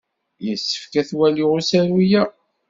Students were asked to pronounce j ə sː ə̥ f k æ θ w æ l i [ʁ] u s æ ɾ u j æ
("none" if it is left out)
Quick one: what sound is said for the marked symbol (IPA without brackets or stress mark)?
ʁ